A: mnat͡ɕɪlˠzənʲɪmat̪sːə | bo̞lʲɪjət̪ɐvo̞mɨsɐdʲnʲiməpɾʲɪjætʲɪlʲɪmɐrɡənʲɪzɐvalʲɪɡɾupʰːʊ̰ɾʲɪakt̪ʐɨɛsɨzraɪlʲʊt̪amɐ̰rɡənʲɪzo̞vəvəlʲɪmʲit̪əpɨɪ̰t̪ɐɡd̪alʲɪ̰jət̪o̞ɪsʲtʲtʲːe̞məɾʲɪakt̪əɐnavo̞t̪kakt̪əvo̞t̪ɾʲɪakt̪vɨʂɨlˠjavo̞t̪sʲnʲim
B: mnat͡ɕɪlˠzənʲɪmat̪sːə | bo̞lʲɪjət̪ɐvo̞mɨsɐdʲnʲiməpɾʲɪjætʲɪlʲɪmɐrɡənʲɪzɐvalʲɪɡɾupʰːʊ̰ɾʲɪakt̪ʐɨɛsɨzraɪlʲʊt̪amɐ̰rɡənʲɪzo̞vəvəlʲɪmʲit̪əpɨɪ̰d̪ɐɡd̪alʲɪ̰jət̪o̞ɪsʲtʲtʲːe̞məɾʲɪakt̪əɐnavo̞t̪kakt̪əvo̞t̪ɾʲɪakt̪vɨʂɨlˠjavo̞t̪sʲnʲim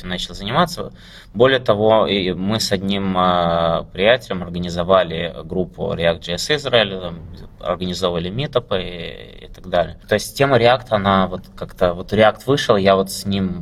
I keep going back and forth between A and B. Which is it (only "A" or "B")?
A